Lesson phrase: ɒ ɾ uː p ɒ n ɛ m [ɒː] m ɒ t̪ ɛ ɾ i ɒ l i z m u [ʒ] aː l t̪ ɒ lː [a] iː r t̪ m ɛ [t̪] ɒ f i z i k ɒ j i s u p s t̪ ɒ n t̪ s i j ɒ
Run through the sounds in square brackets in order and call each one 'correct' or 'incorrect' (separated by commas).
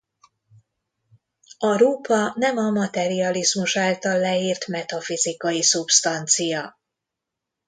incorrect, incorrect, incorrect, correct